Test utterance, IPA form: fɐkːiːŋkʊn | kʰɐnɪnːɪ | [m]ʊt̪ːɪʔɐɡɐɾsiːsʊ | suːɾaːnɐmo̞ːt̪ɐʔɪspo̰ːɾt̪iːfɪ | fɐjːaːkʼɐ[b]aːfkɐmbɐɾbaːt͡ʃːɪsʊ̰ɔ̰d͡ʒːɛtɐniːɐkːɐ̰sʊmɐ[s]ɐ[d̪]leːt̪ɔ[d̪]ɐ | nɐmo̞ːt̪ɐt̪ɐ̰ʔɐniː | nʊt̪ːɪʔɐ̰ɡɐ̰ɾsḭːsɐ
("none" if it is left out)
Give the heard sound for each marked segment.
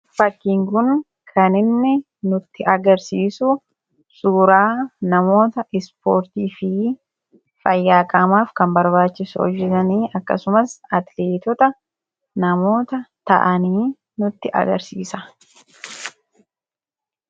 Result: n, m, s, t̪, t̪

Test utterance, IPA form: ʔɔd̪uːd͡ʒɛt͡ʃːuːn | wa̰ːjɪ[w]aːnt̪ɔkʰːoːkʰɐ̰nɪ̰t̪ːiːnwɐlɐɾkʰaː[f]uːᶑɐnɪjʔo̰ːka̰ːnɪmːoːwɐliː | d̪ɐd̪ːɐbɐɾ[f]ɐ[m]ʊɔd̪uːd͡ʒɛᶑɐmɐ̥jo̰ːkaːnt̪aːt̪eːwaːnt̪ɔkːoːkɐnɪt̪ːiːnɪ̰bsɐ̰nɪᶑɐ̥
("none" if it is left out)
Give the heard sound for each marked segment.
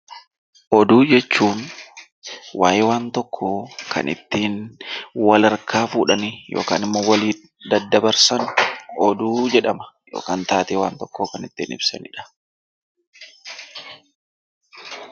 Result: w, f, s, n

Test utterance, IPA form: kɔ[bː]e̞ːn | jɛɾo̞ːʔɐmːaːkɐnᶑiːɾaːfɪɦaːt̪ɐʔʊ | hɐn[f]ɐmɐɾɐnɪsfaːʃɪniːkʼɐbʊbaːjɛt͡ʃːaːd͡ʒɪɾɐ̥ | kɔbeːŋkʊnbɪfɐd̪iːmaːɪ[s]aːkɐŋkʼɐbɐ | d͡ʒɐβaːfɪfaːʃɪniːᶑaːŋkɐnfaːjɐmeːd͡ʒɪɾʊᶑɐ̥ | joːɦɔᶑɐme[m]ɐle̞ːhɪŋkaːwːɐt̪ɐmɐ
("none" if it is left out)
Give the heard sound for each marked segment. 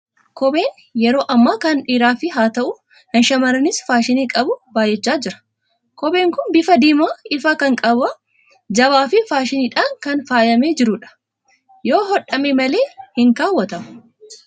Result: b, ʃ, f, m

